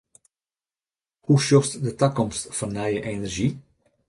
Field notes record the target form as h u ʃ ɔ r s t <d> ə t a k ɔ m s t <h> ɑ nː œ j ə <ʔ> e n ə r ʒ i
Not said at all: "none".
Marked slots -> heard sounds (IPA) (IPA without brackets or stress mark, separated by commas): d, f, ʔ